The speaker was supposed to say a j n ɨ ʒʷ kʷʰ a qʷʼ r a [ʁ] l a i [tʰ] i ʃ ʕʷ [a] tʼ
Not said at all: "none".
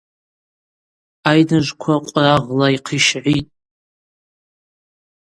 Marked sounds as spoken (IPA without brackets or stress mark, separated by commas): ʁ, qʰ, i